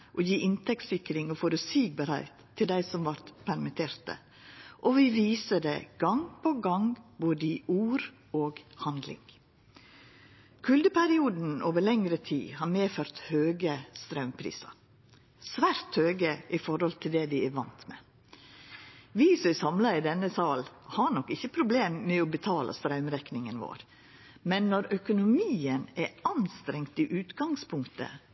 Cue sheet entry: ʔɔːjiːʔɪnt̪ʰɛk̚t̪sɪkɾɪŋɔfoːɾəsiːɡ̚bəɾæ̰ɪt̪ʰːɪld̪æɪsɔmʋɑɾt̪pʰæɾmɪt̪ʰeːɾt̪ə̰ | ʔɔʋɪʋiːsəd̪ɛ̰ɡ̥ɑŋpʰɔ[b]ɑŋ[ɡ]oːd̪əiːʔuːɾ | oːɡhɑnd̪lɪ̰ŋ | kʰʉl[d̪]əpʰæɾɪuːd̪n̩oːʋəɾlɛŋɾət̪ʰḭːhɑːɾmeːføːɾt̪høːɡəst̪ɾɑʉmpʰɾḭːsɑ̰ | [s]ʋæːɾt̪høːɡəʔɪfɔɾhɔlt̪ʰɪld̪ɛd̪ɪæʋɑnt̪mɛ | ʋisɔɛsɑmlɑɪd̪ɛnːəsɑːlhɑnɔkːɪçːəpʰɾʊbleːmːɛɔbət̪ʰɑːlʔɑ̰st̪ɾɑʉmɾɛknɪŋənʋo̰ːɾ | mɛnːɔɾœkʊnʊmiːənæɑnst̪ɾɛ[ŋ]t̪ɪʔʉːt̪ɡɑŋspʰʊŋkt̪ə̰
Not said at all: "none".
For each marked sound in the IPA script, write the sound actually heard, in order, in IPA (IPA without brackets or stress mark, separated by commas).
ɡ, b, d̪, s, ŋ